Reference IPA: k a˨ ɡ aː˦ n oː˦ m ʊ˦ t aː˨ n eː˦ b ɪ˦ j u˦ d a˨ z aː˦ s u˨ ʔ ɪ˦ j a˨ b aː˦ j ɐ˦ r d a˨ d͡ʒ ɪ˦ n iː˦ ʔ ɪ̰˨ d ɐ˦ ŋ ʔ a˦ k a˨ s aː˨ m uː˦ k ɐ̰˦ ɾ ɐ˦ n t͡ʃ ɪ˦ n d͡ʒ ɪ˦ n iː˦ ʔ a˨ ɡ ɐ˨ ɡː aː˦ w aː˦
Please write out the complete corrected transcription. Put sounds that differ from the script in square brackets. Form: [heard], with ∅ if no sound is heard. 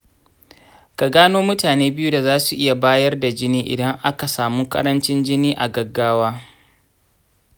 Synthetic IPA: k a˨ ɡ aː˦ n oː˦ m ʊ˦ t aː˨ n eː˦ b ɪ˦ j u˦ d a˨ z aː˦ s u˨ ʔ ɪ˦ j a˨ b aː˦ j ɐ˦ r d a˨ d͡ʒ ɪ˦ n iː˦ ʔ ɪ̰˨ d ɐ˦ ŋ ʔ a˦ k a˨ s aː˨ m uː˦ k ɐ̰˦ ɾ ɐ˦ n t͡ʃ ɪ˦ n d͡ʒ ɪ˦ n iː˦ ʔ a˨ ɡ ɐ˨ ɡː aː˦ w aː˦